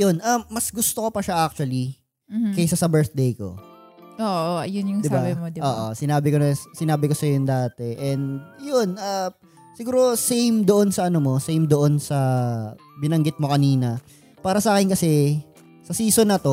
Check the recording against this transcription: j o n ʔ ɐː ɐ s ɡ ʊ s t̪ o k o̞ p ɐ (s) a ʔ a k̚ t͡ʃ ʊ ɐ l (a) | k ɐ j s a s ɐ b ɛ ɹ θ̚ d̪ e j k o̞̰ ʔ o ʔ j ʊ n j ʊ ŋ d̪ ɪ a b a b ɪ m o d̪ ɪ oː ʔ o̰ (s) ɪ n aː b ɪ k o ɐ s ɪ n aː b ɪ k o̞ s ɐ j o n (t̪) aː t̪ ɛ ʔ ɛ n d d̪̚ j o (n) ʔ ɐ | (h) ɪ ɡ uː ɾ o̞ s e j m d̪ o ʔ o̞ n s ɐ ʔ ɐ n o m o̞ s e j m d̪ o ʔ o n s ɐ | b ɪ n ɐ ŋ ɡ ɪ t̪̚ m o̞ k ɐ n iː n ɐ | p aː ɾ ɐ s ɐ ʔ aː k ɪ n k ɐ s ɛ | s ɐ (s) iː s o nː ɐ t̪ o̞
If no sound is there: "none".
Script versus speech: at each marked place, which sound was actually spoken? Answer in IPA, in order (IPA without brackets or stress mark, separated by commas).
ʃ, i, s, d̪, n, s, s